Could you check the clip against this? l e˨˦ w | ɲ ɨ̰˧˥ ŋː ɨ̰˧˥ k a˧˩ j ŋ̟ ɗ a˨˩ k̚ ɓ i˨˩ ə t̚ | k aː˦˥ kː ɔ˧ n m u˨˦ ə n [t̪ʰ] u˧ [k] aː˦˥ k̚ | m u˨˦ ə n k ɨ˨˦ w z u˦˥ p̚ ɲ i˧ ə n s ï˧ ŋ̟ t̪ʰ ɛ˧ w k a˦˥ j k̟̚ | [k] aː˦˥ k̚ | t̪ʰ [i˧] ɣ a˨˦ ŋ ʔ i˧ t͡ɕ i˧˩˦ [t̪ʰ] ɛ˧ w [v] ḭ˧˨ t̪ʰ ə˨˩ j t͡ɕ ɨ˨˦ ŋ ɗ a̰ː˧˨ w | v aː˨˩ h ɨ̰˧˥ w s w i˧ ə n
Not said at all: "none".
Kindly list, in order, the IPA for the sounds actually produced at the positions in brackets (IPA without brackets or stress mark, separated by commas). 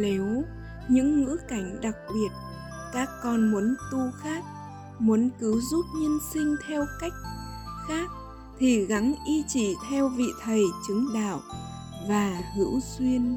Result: t̪, x, x, i˨˩, t̪ʰ, v